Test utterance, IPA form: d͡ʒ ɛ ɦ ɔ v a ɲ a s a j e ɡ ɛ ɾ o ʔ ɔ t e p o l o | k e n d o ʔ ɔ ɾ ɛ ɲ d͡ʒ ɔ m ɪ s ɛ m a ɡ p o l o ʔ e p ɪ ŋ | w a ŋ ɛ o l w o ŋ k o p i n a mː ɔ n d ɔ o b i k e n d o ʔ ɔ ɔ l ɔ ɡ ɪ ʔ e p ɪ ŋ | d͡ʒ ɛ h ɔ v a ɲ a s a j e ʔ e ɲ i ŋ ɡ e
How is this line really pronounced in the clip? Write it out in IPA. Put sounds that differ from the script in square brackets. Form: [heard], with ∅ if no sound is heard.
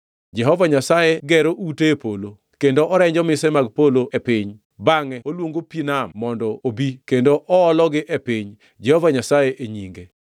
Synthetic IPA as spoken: d͡ʒ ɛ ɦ ɔ v a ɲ a s a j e ɡ ɛ ɾ o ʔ [u] t e p o l o | k e n d o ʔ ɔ ɾ ɛ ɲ d͡ʒ ɔ m ɪ s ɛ m a ɡ p o l o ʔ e p ɪ [ɲ] | [b] a ŋ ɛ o l w o ŋ [ɡ] o p i n a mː ɔ n d ɔ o b i k e n d o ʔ ɔ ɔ l ɔ ɡ ɪ ʔ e p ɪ [ɲ] | d͡ʒ ɛ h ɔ v a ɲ a s a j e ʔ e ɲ i ŋ ɡ e